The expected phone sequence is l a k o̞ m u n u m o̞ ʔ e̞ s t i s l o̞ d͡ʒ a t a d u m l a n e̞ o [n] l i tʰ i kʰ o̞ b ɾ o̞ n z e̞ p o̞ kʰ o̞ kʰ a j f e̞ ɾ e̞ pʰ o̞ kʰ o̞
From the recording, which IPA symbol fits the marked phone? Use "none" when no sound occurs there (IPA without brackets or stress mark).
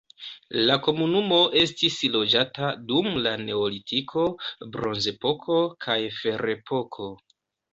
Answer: none